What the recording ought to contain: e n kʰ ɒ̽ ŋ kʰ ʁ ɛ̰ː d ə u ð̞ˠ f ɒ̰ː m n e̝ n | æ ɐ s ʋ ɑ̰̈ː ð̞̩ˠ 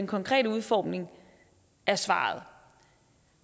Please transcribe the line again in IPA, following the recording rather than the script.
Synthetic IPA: e n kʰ ɒ̽ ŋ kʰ ʁ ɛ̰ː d ə u ð̞ˠ f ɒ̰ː m n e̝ ŋ | æ ɐ s ʋ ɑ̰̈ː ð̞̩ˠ